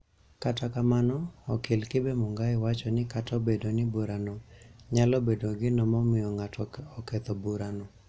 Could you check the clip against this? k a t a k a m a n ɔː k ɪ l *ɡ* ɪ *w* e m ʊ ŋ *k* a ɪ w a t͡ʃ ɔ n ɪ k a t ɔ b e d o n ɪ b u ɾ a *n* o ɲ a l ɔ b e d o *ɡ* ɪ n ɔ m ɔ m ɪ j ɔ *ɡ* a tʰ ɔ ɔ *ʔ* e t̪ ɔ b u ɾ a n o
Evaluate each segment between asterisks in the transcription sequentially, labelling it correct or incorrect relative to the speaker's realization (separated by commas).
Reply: incorrect, incorrect, incorrect, correct, correct, incorrect, incorrect